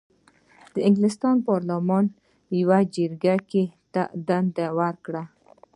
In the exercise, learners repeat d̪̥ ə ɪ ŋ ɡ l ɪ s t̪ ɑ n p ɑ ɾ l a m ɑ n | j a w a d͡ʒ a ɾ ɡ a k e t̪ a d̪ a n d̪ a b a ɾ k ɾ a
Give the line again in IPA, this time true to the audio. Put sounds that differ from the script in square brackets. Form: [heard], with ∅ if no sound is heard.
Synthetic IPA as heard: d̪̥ ə ɪ ŋ ɡ l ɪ s t̪ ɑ n p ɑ ɾ l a m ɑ n | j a w a d͡ʒ [ə] ɾ ɡ a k e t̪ a d̪ a n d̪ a [w] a ɾ k [ɽ] a